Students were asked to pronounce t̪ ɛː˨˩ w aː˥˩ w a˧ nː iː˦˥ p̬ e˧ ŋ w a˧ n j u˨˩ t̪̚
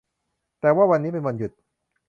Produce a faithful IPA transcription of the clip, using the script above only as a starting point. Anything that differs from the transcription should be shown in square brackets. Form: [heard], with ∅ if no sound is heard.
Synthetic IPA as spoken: t̪ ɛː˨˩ w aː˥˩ w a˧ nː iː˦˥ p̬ e˧ [n] w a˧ n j u˨˩ t̪̚